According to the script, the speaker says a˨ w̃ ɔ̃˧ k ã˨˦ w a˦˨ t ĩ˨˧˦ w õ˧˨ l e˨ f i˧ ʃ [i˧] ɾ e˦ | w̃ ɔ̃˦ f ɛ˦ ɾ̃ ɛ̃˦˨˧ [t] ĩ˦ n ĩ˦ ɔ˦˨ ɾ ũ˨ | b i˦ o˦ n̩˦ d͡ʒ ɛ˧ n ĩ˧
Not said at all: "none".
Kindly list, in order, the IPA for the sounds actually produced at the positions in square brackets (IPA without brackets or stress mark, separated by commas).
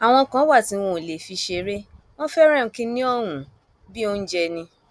e˧, k